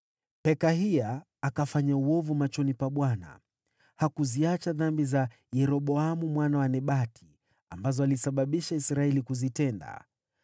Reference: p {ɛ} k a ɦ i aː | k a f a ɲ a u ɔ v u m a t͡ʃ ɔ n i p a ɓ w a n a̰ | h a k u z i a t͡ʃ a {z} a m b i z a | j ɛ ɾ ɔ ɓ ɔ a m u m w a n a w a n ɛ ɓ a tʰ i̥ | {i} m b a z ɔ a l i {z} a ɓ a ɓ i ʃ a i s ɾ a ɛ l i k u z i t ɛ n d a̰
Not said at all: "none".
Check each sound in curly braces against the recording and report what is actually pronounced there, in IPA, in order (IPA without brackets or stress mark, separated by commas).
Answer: ɛ, ð, a, s